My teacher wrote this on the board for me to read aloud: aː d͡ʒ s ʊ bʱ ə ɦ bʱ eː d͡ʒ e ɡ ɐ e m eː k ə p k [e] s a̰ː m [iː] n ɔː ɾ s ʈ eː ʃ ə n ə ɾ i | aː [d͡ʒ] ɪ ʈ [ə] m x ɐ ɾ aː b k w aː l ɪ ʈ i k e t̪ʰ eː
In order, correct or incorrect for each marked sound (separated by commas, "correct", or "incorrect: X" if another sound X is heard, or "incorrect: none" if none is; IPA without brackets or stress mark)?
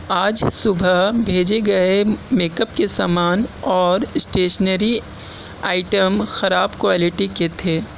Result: correct, incorrect: aː, incorrect: none, correct